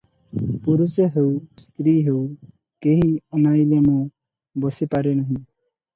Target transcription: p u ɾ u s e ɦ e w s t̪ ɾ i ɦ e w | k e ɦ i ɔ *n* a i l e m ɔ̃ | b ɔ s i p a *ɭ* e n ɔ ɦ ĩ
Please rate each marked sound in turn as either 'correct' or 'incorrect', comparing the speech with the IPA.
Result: correct, incorrect: ɾ

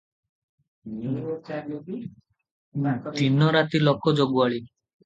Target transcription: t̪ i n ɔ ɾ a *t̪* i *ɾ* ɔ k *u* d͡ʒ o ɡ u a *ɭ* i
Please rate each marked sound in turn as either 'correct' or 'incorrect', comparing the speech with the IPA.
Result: correct, incorrect: l, incorrect: ɔ, correct

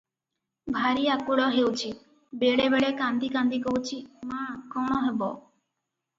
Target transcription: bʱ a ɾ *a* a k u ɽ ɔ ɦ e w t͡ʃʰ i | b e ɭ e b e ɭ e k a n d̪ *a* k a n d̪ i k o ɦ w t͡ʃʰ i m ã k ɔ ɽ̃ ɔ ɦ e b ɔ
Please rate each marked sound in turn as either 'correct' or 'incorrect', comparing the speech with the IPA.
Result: incorrect: i, incorrect: i

